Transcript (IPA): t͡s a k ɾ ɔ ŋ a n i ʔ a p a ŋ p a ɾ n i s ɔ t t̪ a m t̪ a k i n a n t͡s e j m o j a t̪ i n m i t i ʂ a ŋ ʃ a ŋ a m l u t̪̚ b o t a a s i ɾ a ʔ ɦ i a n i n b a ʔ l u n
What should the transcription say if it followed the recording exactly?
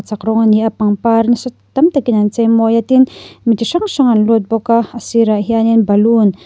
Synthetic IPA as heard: t͡s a k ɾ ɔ ŋ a n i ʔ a p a ŋ p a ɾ n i s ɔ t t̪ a m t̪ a k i n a n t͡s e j m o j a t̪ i n m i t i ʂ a ŋ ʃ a ŋ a n l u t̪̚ b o k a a s i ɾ a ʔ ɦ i a n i n b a l u n